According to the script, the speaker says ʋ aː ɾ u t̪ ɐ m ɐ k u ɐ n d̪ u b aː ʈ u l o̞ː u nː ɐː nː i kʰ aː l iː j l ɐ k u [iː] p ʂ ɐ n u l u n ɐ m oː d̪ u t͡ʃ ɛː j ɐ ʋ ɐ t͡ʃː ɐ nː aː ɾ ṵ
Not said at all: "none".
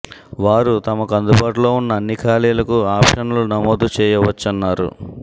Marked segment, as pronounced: aː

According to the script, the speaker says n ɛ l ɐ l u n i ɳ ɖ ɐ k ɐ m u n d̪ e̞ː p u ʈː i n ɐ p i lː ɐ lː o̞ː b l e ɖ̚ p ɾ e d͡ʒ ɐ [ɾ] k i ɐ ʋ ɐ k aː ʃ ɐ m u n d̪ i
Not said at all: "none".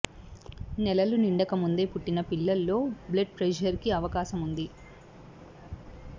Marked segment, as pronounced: ɾ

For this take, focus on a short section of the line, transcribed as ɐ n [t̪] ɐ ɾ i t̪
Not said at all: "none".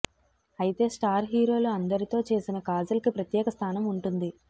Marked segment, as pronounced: d̪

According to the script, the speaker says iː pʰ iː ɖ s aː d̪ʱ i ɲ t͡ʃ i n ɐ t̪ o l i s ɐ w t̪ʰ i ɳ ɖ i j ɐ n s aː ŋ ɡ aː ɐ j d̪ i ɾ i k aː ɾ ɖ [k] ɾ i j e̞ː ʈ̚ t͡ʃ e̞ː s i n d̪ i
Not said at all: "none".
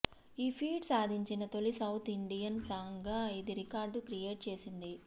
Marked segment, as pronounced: k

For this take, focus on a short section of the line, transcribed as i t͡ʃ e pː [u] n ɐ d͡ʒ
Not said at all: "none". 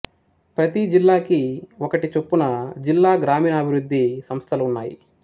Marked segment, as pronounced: u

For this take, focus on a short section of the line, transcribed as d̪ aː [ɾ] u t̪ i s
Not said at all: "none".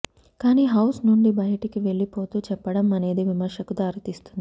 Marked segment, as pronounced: ɾ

